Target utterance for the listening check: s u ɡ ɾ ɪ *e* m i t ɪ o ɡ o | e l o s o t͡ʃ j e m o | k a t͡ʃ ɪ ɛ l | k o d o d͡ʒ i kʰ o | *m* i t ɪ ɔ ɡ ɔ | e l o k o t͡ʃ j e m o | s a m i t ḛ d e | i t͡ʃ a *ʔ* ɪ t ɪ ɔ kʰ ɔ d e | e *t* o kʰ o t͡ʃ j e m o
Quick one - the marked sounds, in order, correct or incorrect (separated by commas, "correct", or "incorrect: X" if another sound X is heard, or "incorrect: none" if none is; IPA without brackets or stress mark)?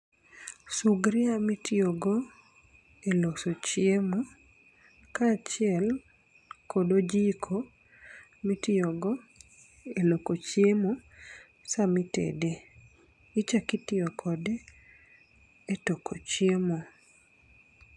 incorrect: a, correct, incorrect: k, correct